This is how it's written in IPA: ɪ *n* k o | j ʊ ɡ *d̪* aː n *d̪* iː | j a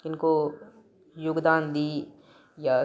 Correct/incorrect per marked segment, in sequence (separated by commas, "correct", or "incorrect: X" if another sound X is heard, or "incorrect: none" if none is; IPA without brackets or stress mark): correct, correct, correct